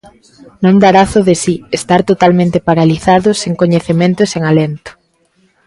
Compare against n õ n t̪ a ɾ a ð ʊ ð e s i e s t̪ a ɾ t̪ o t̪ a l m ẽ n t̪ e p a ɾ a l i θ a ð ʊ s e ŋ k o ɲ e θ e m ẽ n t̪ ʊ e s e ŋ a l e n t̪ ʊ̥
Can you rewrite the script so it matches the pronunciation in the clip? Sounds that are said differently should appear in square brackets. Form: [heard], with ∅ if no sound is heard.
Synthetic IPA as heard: n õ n [d̪] a ɾ a [θ] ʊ ð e s i e s t̪ a ɾ t̪ o t̪ a l m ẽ n t̪ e p a ɾ a l i θ a ð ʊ s e ŋ k o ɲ e θ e m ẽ n t̪ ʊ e s e ŋ a l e n t̪ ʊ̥